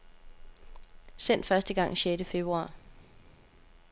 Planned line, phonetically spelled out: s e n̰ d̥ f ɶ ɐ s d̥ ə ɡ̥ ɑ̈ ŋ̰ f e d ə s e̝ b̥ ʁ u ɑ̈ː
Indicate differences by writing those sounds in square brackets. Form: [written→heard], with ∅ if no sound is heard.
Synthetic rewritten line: s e n̰ d̥ f ɶ ɐ s d̥ ə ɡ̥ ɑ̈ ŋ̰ [f→ɕ] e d ə [s→f] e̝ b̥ ʁ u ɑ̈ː